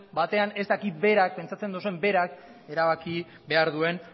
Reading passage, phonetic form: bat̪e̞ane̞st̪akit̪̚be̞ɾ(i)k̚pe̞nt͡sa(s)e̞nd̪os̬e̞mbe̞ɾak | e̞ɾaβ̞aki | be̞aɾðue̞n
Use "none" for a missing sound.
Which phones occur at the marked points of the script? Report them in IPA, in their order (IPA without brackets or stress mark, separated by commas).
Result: a, t͡s